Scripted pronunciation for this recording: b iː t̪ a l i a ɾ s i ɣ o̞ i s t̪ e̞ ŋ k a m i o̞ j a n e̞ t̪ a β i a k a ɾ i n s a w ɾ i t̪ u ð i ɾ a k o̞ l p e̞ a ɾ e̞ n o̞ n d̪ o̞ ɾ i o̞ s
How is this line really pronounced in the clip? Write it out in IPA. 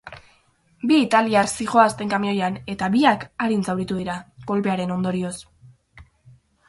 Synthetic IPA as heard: b iː t̪ a l i a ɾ s i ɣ o̞ a s t̪ e̞ ŋ k a m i o̞ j a n e̞ t̪ a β i a k a ɾ i n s a w ɾ i t̪ u ð i ɾ a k o̞ l p e̞ a ɾ e̞ n o̞ n d̪ o̞ ɾ i o̞ s